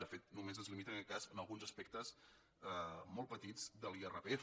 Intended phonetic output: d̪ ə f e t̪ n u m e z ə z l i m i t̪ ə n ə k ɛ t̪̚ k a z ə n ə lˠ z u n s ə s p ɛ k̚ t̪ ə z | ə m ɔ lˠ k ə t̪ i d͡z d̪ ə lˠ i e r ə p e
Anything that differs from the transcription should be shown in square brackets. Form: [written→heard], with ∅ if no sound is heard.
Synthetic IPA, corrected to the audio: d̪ ə f e t̪ n u m e z ə z l i m i t̪ ə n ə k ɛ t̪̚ k a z ə n ə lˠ [z→ɣ] u n [s→z] ə s p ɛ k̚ t̪ ə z | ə m ɔ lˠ [k→p] ə t̪ i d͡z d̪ ə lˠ i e r ə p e